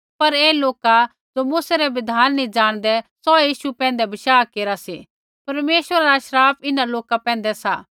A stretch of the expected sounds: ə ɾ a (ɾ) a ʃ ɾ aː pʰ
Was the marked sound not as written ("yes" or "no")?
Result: no